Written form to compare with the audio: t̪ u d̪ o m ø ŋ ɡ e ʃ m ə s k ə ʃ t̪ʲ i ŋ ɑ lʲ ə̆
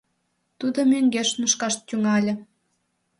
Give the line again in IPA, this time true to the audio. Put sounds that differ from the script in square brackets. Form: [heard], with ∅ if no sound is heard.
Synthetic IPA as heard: t̪ u d̪ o m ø ŋ ɡ e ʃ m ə [ʃ] k [ɑ] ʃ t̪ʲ [y] ŋ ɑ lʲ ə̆